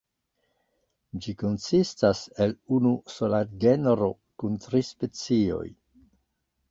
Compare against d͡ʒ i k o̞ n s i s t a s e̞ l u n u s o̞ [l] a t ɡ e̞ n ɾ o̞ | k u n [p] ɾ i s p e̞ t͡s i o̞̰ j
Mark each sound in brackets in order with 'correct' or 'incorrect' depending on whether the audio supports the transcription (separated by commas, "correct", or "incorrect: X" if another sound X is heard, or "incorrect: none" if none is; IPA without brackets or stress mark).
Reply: correct, incorrect: t